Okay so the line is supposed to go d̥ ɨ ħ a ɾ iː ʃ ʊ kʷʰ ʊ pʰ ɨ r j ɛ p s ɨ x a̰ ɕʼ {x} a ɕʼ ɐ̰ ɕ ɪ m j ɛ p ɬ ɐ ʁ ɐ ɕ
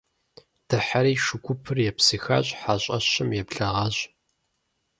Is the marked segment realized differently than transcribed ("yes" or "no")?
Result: yes